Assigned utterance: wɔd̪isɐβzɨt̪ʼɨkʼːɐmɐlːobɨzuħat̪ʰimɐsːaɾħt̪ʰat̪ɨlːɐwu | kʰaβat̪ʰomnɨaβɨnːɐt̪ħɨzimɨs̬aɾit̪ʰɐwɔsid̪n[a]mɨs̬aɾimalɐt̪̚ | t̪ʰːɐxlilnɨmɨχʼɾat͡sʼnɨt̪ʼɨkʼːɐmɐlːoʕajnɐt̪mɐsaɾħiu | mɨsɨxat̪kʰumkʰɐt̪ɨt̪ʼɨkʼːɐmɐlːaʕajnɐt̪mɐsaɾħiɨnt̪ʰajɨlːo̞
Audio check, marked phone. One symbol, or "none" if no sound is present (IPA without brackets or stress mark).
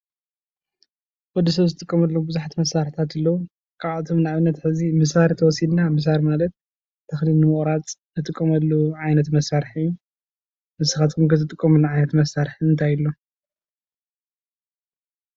a